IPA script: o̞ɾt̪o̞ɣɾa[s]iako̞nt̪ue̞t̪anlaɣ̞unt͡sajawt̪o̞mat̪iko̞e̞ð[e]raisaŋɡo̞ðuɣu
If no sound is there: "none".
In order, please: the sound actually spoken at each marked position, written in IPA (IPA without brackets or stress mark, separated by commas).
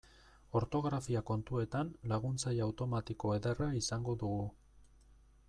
f, e